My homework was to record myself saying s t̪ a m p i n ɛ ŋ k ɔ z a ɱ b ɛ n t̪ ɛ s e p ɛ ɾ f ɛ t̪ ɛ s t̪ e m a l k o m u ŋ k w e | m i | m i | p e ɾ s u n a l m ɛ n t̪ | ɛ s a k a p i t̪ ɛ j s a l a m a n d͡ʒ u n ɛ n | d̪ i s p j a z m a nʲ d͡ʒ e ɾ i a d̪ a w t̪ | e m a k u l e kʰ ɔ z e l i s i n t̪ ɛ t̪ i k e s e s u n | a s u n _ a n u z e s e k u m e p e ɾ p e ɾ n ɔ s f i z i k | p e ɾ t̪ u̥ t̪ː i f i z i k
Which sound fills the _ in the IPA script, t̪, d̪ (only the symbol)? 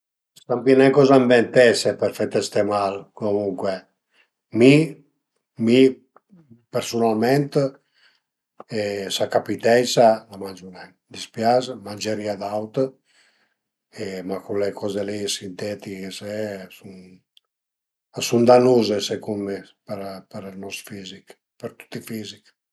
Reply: d̪